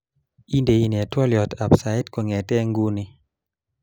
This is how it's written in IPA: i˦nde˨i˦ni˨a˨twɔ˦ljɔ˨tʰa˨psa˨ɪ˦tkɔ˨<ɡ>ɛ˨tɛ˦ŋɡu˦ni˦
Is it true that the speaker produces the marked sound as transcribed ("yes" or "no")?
no